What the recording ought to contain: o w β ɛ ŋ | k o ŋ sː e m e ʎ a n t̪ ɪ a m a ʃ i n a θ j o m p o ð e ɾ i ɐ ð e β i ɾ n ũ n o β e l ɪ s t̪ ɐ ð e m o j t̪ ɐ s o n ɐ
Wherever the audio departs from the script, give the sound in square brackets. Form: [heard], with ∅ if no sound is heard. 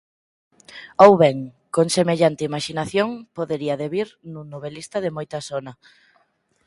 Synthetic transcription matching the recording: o w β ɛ ŋ | k o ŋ [s] e m e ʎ a n t̪ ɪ [i] m a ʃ i n a θ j o [ŋ] p o ð e ɾ i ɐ ð e β i ɾ n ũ n o β e l [i] s t̪ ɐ ð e m o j t̪ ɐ s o n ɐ